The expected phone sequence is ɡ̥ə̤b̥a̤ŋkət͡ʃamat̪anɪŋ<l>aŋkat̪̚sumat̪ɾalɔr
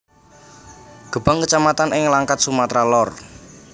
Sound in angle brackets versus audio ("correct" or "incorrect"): correct